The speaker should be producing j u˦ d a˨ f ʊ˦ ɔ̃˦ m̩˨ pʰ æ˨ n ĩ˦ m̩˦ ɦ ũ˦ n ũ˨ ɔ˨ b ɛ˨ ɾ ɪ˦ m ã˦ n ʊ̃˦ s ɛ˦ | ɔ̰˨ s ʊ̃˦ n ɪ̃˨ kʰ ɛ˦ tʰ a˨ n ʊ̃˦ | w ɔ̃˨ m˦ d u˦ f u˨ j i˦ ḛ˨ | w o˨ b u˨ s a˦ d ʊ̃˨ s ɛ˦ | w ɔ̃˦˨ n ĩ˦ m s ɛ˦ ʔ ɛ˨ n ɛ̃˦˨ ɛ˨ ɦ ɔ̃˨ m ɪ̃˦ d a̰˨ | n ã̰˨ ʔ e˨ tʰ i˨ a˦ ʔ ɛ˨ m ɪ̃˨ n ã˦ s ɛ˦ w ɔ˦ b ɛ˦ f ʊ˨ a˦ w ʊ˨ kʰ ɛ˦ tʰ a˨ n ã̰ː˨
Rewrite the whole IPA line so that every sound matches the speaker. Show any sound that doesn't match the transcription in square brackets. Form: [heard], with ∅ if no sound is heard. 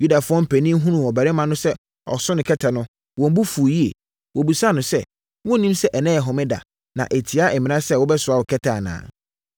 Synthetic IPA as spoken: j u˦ d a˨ f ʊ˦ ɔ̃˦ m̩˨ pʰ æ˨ n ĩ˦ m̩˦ ɦ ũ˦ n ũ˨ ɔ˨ b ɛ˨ ɾ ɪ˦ m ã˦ n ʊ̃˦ s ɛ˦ | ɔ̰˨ s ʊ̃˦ n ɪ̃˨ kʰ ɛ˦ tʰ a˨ n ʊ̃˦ | w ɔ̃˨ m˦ [b] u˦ f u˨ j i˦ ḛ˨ | w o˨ b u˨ s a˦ [n] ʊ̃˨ s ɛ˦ | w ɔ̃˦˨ n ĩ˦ m s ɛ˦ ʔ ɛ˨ n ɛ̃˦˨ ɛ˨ ɦ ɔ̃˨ m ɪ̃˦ d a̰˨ | n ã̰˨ ʔ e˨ tʰ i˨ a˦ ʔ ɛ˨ m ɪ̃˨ n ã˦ s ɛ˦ w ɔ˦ b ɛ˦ [s] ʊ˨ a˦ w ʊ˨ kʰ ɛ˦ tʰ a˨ n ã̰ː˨

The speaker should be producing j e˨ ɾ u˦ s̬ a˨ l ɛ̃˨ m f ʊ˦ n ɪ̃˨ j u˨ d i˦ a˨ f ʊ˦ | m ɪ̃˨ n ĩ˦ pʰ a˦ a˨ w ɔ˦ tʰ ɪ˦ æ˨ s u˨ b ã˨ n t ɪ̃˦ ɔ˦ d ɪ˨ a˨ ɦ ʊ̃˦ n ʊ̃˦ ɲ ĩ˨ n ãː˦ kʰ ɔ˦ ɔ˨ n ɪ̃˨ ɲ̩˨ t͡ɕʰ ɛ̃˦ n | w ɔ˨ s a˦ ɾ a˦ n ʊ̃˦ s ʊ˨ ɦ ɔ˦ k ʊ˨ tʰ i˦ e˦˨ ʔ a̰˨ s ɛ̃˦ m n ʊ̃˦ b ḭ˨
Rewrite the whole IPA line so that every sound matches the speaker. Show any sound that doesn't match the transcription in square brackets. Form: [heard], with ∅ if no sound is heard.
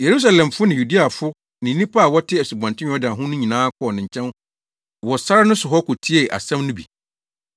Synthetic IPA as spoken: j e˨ ɾ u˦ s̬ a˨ l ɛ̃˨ m f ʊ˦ n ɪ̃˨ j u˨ d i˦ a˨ f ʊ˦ | [n] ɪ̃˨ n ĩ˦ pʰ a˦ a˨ w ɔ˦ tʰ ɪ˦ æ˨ s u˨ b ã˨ n t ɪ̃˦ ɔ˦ d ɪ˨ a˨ ɦ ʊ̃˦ n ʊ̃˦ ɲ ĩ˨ n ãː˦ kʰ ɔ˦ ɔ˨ n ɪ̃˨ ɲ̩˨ t͡ɕʰ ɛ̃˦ n | w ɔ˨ s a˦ ɾ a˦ n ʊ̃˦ s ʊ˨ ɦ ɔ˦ k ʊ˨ tʰ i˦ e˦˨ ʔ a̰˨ s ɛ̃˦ m n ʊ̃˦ b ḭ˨

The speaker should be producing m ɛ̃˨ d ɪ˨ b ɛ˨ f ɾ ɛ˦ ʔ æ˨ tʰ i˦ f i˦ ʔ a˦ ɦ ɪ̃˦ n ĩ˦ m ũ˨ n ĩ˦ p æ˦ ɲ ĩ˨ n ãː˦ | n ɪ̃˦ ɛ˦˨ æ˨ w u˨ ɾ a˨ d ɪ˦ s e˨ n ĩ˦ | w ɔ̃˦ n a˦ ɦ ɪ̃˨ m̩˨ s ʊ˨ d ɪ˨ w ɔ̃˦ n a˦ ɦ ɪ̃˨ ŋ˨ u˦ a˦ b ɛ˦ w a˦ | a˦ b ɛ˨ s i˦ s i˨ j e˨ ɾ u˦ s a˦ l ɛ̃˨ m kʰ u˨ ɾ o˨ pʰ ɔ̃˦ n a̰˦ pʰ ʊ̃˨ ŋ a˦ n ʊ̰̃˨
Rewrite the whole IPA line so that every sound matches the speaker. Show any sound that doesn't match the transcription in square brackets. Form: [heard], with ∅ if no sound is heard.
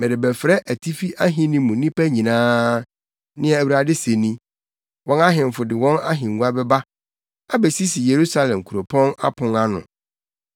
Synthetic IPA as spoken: m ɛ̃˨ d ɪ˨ b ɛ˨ f ɾ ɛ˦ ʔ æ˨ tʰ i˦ f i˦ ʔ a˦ ɦ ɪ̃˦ n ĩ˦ m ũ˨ n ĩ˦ p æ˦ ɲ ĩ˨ n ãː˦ | n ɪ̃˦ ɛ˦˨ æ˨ w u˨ ɾ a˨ d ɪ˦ s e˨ n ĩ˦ | w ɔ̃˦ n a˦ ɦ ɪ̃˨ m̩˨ [f] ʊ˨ d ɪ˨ w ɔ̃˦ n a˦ ɦ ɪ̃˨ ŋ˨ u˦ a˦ b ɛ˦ [b] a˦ | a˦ b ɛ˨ s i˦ s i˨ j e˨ ɾ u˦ s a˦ l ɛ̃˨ m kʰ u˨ ɾ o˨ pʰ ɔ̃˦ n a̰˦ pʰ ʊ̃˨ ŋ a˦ n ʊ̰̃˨

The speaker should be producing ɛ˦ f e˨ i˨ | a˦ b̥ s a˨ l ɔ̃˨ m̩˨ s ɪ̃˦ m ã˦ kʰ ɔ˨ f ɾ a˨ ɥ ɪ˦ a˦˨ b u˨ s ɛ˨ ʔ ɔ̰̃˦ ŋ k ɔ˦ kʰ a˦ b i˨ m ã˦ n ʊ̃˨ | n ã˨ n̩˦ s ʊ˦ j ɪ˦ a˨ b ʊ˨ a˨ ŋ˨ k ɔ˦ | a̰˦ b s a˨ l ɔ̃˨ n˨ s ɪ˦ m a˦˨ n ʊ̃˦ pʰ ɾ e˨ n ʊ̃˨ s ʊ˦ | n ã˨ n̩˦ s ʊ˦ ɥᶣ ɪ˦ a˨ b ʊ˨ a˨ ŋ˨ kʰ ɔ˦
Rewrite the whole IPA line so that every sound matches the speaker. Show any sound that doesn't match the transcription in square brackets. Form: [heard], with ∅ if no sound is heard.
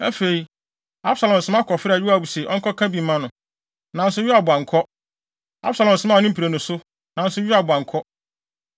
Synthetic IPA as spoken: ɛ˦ f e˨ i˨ | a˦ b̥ s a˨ l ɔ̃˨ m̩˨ s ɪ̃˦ m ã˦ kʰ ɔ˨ f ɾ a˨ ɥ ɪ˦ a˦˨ b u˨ s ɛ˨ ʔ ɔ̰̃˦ ŋ k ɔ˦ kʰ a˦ b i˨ m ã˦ n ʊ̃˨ | n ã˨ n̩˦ s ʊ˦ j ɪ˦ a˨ b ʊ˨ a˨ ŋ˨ [kʰ] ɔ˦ | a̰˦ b s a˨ l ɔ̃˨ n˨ s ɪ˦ m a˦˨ n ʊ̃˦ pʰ ɾ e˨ n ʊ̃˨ s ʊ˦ | n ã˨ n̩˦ s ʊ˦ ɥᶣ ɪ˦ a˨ b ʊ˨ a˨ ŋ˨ kʰ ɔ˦

